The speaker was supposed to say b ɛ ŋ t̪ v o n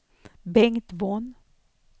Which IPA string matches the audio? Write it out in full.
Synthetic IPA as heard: b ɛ ŋ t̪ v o n